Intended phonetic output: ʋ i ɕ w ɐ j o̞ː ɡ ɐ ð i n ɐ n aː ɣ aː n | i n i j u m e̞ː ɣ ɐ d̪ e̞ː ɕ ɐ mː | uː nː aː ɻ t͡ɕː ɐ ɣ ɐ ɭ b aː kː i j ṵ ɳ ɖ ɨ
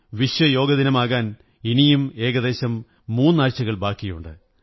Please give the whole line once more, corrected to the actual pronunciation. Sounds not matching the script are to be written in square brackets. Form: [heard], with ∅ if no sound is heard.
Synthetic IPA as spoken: ʋ i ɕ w ɐ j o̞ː ɡ ɐ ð i n ɐ [m] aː ɣ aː n | i n i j u m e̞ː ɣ ɐ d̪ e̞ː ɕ ɐ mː | uː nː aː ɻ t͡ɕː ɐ ɣ ɐ ɭ b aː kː i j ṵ ɳ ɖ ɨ